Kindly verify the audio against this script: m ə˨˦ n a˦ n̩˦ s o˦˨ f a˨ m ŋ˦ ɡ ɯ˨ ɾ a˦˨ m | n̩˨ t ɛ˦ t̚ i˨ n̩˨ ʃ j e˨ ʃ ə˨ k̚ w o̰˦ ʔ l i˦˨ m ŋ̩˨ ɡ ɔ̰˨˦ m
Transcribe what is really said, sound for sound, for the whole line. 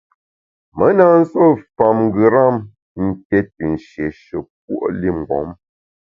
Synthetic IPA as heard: m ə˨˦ n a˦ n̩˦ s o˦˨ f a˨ m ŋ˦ ɡ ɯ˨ ɾ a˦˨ m | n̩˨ t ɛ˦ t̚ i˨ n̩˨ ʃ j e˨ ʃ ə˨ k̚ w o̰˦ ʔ l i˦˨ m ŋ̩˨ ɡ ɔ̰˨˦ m